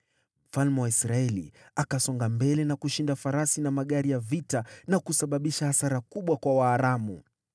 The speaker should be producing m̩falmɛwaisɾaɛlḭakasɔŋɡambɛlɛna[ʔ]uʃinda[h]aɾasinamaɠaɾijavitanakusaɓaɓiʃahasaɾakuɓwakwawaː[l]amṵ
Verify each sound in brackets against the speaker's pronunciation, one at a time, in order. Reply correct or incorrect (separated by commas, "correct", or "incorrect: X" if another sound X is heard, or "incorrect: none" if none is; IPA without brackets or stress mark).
incorrect: k, incorrect: f, incorrect: ɾ